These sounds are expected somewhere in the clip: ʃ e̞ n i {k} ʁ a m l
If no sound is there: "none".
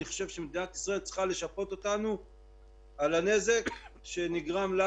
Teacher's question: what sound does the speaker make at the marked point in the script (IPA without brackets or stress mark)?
ɡ